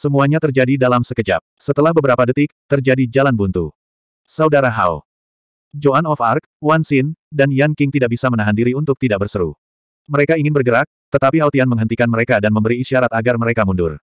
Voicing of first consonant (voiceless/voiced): voiceless